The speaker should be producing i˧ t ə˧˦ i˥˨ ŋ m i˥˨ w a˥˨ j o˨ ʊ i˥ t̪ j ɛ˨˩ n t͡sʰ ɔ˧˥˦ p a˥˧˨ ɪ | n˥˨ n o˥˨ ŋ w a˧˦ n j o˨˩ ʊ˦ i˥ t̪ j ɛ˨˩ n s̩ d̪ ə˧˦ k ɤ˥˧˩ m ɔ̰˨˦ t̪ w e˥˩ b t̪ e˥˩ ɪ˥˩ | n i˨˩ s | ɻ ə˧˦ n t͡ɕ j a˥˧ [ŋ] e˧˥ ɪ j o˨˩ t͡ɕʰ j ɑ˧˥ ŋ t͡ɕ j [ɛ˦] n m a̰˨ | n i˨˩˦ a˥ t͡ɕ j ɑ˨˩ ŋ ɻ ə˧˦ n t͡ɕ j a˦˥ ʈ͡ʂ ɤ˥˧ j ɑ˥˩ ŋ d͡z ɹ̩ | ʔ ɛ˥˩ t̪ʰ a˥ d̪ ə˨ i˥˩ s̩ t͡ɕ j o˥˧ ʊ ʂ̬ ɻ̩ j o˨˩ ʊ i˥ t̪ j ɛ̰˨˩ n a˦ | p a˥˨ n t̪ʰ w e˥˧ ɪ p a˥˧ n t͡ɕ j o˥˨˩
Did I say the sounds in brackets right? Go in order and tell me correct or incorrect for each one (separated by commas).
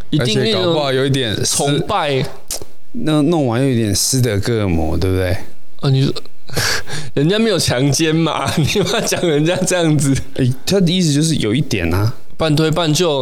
incorrect, correct